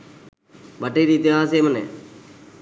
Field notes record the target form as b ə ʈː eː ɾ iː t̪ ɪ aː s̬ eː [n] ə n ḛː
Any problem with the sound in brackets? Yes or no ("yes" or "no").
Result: yes